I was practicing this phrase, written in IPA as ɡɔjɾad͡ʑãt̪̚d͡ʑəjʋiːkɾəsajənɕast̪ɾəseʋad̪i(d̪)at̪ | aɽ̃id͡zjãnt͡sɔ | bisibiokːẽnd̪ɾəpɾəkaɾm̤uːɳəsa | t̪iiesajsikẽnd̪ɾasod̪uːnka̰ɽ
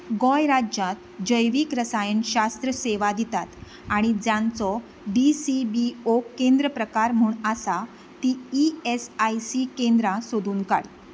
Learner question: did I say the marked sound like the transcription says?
no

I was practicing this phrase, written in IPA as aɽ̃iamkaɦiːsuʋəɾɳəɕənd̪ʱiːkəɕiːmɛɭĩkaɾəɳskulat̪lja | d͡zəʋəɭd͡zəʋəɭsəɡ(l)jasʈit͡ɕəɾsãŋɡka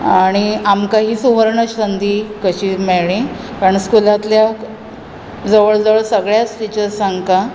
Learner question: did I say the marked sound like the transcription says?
no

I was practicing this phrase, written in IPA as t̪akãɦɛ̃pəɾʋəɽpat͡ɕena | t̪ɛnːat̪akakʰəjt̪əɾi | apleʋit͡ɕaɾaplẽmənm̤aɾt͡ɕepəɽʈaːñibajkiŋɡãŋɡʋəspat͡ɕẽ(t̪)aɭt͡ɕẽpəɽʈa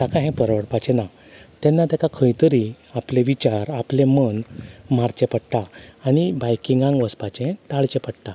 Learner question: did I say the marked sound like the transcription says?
yes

